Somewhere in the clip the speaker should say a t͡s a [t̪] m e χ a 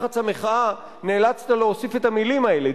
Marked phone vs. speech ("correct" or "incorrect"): incorrect